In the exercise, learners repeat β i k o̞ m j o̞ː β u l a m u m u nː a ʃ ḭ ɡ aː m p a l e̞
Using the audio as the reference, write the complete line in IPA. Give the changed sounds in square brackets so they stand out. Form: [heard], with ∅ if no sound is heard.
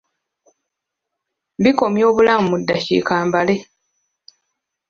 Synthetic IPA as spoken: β i k o̞ m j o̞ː β u l a m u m u [dː] a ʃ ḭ [k] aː m [b] a l e̞